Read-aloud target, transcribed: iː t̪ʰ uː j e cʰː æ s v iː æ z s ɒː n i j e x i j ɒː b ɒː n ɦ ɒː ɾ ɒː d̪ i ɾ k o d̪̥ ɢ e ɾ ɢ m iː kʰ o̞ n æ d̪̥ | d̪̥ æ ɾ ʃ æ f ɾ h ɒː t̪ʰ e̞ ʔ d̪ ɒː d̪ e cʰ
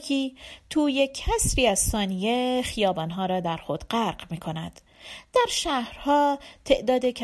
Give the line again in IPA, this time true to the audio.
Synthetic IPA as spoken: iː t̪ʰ uː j e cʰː æ s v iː æ z s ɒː n i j e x i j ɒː b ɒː n ɦ ɒː ɾ ɒː d̪ æ ɾ x o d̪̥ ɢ æ ɾ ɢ m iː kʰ o̞ n æ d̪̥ | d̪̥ æ ɾ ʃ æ h ɾ h ɒː t̪ʰ e̞ ʔ d̪ ɒː d̪ e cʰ